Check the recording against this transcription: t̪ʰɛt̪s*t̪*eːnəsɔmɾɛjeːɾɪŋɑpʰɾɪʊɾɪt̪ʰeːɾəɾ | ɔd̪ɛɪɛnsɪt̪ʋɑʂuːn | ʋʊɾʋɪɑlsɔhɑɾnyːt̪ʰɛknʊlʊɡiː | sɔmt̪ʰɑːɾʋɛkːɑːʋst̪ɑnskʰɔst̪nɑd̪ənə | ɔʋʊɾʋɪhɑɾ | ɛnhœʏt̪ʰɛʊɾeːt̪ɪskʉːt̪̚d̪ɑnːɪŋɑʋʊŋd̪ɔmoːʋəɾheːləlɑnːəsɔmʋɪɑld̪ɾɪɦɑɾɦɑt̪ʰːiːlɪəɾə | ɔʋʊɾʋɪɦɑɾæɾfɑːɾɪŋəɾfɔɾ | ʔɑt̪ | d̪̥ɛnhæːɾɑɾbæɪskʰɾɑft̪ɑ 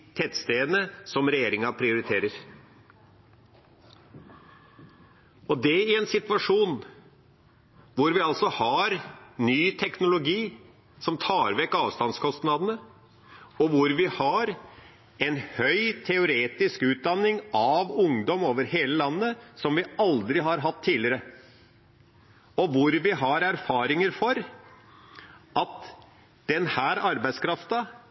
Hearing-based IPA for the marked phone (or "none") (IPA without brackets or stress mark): t̪